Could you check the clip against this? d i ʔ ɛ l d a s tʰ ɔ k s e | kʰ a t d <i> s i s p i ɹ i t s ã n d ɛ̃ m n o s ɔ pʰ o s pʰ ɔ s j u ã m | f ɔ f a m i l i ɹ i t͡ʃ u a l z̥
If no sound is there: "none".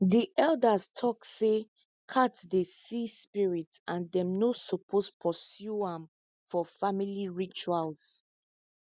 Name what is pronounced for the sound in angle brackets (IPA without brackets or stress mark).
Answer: e